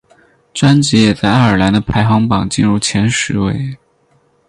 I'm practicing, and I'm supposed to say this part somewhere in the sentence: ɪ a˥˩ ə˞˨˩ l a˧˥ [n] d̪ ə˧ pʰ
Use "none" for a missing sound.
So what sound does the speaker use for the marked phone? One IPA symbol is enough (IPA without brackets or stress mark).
n